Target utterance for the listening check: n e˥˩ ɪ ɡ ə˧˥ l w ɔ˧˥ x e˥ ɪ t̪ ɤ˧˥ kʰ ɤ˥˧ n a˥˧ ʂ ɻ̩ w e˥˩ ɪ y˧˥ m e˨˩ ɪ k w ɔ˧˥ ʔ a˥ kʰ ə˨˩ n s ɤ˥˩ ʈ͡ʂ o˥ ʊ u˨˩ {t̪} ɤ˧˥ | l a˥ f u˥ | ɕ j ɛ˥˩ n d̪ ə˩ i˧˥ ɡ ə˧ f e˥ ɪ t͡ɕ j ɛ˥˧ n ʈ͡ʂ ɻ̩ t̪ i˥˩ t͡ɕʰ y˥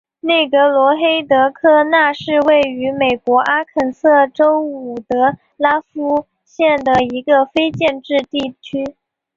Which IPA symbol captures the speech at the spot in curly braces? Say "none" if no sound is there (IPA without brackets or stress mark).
t̪